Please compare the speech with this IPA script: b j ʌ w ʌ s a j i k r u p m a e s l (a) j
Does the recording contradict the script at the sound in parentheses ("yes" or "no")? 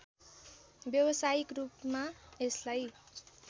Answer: no